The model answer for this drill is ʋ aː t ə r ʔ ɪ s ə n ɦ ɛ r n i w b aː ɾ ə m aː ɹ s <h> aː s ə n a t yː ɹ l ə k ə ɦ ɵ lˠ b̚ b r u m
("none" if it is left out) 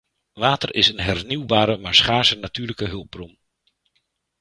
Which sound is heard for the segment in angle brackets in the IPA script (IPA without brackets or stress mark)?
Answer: χ